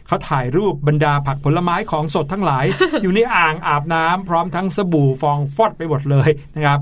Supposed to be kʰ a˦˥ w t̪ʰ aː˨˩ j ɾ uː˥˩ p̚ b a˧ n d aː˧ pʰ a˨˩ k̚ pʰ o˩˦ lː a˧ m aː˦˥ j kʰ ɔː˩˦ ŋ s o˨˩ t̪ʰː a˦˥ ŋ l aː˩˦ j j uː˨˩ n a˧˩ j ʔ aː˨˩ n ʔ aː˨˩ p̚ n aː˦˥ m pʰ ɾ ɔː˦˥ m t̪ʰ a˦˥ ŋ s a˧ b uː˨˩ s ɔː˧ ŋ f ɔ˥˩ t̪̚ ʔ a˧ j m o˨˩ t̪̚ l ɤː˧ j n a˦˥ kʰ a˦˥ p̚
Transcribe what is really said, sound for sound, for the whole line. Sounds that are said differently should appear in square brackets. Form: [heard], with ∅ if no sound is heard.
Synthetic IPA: kʰ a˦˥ w t̪ʰ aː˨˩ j ɾ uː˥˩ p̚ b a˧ n d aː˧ pʰ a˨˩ k̚ pʰ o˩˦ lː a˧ m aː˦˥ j kʰ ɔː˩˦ ŋ s o˨˩ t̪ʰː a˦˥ ŋ l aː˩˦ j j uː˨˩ n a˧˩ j ʔ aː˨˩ [ŋ] ʔ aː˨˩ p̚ n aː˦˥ m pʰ ɾ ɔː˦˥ m t̪ʰ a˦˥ ŋ s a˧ b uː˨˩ [f] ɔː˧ ŋ f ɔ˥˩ t̪̚ [p] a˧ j m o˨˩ t̪̚ l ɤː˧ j n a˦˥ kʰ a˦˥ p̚